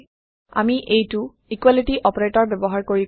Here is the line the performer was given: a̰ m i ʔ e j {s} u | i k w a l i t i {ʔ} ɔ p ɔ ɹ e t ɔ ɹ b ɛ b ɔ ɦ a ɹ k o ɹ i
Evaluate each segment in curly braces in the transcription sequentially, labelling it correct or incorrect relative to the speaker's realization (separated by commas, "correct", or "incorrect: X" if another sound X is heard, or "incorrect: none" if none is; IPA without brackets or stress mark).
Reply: incorrect: t, correct